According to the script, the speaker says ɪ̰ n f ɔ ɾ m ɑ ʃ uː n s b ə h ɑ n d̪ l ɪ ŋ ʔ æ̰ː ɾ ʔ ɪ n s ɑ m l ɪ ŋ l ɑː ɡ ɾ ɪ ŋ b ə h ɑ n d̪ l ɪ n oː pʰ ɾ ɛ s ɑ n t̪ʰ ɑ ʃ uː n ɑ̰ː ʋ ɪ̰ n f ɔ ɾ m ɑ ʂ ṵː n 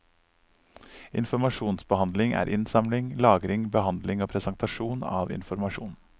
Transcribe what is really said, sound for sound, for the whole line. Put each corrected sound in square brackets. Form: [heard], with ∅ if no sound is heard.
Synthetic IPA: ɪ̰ n f ɔ ɾ m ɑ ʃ uː n s b ə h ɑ n d̪ l ɪ ŋ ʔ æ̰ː ɾ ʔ ɪ n s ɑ m l ɪ ŋ l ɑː ɡ ɾ ɪ ŋ b ə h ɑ n d̪ l ɪ [ŋ] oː pʰ ɾ ɛ s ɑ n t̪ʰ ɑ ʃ uː n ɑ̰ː ʋ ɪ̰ n f ɔ ɾ m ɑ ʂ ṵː n